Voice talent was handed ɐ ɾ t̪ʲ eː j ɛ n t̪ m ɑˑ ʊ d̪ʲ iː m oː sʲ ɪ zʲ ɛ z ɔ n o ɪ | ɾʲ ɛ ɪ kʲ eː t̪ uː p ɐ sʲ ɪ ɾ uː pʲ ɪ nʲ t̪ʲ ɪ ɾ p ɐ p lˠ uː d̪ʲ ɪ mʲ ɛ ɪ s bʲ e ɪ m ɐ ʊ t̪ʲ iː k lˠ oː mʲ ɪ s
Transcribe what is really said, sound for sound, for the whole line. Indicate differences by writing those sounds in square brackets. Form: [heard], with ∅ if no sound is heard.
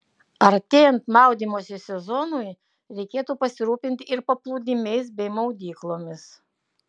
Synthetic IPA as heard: ɐ ɾ t̪ʲ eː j ɛ n t̪ m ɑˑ ʊ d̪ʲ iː m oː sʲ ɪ [sʲ] ɛ z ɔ n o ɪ | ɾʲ ɛ ɪ kʲ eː t̪ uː p ɐ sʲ ɪ ɾ uː pʲ ɪ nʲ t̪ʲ ɪ ɾ p ɐ p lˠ uː d̪ʲ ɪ mʲ ɛ ɪ s bʲ [ɛ] ɪ m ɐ ʊ [d̪ʲ] iː k lˠ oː mʲ ɪ s